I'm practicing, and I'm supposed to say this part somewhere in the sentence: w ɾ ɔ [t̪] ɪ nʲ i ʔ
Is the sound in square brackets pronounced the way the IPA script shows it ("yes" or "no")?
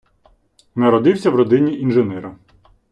no